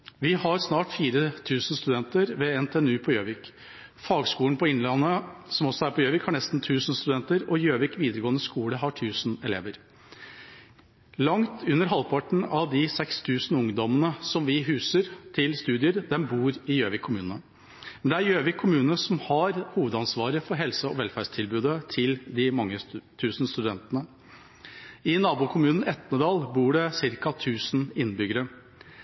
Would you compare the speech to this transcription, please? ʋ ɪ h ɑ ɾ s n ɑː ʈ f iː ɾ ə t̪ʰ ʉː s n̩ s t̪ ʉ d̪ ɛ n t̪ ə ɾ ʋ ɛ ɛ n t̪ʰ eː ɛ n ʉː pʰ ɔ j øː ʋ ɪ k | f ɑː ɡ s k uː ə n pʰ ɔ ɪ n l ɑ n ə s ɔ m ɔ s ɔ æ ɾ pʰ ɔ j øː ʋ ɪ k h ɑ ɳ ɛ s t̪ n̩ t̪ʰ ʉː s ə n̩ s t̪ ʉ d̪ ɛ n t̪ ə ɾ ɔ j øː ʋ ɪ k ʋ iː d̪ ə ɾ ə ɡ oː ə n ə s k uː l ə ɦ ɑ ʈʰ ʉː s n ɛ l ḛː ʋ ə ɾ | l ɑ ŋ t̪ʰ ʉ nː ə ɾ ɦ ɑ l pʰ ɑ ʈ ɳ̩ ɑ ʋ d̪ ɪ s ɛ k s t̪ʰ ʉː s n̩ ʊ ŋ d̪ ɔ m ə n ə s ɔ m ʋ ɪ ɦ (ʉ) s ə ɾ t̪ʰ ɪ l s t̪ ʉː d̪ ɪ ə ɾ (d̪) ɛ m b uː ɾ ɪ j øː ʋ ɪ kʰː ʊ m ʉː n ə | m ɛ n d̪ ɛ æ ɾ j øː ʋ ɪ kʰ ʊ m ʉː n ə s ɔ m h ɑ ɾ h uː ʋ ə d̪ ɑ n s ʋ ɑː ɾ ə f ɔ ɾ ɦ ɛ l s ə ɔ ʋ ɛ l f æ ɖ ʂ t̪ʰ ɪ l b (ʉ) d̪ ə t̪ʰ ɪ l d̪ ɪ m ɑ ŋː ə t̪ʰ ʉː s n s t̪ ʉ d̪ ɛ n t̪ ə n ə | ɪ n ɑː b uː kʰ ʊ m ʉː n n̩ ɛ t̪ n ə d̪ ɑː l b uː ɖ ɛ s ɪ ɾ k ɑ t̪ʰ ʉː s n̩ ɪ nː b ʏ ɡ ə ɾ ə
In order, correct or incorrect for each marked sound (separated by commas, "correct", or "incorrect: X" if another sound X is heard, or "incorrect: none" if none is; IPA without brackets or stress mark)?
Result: incorrect: ʉː, correct, incorrect: ʉː